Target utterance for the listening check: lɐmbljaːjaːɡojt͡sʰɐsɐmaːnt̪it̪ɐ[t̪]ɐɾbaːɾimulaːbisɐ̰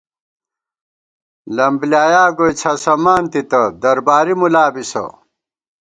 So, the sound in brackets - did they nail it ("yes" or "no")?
no